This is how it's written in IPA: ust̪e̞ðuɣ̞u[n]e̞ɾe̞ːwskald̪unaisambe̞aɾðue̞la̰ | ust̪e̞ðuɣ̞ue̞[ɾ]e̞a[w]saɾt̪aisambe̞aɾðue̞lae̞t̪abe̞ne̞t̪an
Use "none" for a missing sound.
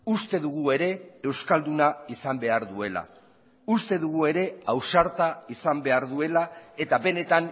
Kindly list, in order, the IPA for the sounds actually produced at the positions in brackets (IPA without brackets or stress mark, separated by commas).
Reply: none, ɾ, w